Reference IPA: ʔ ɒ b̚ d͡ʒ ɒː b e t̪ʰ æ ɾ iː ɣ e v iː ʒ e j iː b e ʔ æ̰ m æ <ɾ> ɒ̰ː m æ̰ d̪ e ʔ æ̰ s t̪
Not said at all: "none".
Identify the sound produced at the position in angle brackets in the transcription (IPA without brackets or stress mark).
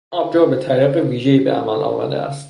l